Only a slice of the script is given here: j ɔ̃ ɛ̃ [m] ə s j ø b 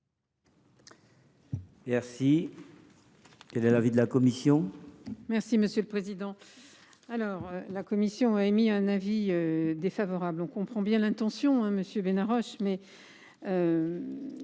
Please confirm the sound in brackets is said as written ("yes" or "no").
yes